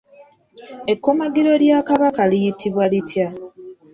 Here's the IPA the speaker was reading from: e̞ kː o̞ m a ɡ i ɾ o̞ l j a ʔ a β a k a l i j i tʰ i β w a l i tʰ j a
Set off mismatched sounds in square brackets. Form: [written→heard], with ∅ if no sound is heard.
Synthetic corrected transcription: e̞ kː o̞ m a ɡ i ɾ o̞ l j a [ʔ→k] a β a k a l i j i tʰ i β w a l i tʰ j a